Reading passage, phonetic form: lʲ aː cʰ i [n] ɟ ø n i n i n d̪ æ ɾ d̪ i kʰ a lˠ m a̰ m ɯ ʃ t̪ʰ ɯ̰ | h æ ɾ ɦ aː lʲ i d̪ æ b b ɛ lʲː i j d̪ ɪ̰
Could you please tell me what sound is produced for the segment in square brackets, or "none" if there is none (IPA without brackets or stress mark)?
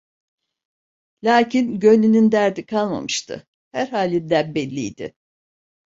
n